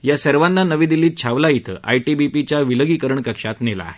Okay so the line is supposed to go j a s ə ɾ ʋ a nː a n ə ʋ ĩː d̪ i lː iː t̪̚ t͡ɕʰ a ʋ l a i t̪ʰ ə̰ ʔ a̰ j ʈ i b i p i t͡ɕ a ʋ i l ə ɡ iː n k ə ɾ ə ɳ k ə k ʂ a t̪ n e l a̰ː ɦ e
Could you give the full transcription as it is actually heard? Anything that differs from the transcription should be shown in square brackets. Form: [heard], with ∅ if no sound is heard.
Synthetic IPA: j a s ə ɾ ʋ a nː a n ə ʋ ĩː d̪ i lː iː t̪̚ t͡ɕʰ a ʋ l a i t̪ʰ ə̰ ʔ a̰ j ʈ i b i p i t͡ɕ a ʋ i l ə ɡ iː [∅] k ə ɾ ə ɳ k ə k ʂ a t̪ n e l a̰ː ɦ e